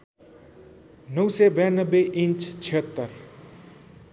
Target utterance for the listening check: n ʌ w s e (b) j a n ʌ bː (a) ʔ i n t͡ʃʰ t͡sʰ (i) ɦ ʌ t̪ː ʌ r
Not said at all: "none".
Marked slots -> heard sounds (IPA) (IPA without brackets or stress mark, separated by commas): b, e, i